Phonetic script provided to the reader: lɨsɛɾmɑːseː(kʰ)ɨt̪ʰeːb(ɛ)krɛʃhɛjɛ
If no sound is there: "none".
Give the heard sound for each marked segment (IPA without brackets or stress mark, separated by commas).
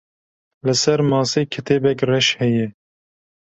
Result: kʰ, ɛ